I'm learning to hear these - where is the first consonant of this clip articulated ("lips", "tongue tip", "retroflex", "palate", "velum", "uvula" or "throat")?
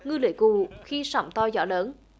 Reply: velum